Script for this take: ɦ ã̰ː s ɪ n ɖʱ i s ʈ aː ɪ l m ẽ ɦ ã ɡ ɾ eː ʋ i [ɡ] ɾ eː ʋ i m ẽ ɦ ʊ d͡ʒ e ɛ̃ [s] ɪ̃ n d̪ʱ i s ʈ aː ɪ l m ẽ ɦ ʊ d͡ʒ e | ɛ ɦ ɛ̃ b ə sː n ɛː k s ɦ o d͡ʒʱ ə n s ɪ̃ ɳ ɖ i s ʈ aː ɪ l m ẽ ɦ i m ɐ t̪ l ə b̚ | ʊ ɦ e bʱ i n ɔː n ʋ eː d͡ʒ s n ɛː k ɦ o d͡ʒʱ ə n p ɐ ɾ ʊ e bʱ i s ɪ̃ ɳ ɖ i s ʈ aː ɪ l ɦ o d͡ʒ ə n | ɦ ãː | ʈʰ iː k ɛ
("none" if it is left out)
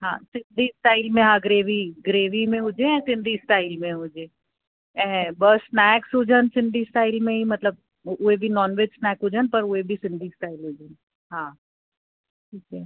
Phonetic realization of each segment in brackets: ɡ, s

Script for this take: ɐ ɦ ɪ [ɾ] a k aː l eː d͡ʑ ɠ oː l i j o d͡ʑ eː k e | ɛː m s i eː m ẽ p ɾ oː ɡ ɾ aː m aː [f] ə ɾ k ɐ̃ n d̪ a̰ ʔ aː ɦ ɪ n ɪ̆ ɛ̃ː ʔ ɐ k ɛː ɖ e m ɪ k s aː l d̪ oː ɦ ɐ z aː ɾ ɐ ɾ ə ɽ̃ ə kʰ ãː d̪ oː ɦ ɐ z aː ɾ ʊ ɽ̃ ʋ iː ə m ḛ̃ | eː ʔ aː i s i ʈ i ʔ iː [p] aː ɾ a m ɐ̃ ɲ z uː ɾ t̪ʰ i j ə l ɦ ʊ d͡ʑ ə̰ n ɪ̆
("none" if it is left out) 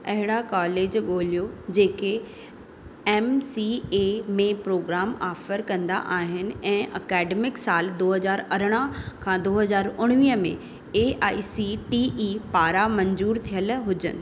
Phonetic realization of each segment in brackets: ɽ, f, p

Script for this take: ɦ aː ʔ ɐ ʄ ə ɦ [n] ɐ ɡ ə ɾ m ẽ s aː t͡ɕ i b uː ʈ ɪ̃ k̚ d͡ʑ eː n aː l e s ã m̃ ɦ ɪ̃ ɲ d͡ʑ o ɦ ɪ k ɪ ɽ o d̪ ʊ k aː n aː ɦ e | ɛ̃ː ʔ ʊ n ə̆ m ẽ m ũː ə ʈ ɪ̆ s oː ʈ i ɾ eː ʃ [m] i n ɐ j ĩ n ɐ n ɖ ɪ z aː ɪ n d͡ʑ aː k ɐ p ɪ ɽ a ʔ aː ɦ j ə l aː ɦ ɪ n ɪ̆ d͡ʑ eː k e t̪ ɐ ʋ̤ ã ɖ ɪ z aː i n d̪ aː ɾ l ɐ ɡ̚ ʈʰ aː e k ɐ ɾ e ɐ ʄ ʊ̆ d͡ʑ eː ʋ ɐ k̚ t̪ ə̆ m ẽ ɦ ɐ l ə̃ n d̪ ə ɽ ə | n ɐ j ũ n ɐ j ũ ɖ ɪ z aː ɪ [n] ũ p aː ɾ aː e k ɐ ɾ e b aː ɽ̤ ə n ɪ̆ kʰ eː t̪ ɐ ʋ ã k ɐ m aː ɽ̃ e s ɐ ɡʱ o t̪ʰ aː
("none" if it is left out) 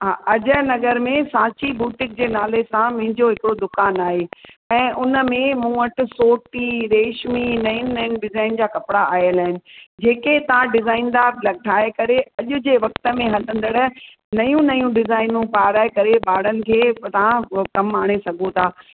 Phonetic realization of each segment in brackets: n, m, n

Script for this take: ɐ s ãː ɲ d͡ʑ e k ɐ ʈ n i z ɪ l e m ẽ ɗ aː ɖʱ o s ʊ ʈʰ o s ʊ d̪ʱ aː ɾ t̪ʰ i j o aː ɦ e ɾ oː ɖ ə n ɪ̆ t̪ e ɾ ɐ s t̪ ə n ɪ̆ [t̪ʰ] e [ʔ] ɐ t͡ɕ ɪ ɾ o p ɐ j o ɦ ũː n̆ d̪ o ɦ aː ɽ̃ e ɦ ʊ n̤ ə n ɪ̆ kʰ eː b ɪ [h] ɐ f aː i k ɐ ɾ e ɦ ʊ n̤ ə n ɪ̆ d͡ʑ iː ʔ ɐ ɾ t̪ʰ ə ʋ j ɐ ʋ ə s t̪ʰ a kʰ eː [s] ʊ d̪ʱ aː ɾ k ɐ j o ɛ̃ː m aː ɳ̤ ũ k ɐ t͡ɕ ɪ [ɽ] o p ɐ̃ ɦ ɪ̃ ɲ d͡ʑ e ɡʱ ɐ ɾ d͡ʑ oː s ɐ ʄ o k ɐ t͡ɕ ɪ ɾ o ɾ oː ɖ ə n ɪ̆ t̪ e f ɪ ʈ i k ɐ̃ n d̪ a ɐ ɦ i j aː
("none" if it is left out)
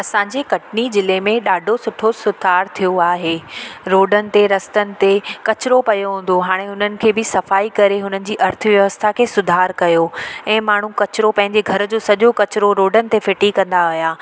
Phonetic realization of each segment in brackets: t̪, k, s, s, ɾ

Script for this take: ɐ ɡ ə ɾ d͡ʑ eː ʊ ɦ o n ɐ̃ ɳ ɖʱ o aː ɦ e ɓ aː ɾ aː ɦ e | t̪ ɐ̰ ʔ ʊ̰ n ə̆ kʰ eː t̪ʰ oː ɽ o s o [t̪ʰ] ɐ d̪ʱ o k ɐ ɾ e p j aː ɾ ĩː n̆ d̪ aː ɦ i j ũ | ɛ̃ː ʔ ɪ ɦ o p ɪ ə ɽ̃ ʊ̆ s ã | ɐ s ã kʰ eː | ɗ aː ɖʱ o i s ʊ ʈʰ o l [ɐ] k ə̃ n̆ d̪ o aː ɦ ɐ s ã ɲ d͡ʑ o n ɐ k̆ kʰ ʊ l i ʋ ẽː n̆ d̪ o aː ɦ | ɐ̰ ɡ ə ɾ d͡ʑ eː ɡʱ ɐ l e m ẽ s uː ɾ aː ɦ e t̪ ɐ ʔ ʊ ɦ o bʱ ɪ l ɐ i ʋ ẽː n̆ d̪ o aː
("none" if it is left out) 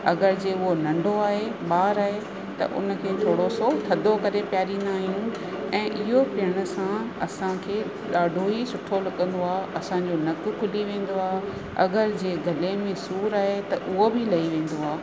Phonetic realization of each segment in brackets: t̪ʰ, ɐ

